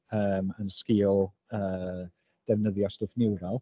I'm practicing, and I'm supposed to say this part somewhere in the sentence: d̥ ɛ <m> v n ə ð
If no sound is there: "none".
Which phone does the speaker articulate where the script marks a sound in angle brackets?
none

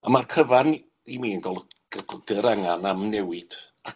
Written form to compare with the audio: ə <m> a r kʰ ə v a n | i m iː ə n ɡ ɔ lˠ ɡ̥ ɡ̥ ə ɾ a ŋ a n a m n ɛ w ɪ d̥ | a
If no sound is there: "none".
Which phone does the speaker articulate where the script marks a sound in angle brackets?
m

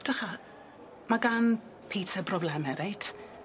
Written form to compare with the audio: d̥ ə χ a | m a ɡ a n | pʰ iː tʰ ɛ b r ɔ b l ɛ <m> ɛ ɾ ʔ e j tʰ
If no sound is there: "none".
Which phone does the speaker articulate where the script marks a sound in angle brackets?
m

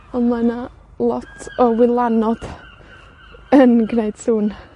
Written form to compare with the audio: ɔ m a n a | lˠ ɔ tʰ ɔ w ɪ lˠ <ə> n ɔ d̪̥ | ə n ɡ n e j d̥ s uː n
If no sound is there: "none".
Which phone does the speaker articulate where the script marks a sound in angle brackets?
a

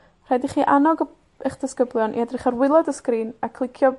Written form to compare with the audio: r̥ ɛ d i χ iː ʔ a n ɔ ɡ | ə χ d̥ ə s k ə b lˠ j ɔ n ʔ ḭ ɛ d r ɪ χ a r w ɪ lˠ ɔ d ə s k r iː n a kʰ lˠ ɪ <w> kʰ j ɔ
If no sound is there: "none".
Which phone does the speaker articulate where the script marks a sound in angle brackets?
none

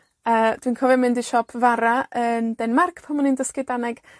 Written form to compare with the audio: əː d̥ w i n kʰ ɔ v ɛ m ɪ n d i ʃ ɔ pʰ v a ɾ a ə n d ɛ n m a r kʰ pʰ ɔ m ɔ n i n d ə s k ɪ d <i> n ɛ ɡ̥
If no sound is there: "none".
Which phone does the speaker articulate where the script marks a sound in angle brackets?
a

